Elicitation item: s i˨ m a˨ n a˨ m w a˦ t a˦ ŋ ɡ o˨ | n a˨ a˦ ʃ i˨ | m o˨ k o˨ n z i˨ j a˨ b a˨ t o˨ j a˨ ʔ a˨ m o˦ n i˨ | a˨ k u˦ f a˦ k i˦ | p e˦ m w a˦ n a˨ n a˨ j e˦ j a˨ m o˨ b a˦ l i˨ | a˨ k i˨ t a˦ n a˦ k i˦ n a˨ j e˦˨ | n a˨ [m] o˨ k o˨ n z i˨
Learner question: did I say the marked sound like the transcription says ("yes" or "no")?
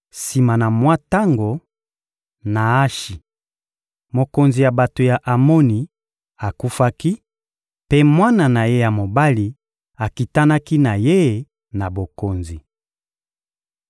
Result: no